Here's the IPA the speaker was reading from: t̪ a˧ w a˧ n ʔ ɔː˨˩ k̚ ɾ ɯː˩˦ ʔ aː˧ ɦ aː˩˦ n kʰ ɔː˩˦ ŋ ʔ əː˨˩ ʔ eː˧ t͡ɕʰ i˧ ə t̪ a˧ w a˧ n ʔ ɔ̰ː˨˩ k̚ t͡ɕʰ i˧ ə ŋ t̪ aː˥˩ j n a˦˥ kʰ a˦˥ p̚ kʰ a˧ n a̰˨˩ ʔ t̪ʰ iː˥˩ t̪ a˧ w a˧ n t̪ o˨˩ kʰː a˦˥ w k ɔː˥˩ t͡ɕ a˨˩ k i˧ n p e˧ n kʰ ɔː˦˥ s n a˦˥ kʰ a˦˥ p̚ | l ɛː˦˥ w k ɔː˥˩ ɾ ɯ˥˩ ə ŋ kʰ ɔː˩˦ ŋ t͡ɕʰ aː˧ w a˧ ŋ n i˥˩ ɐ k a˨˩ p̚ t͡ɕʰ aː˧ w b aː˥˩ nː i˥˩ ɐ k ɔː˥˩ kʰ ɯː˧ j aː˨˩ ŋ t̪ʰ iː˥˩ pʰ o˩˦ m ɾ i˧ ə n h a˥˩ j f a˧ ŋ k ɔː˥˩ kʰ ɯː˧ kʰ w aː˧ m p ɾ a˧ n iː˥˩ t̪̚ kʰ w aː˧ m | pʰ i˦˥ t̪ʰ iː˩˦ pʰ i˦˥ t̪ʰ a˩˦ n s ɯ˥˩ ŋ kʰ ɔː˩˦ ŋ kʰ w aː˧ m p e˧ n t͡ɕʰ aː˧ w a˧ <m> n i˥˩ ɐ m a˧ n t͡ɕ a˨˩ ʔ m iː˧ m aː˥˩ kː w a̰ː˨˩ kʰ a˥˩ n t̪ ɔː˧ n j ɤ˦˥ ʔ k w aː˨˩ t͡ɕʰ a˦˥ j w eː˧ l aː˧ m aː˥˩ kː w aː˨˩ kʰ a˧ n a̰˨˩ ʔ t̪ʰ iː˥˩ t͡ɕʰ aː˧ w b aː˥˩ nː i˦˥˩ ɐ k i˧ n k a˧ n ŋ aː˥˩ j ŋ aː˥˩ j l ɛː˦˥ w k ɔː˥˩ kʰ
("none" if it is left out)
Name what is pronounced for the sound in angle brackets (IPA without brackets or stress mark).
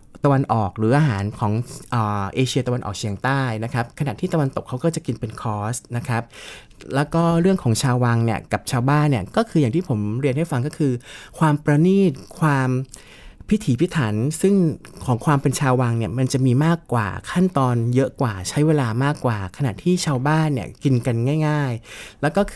ŋ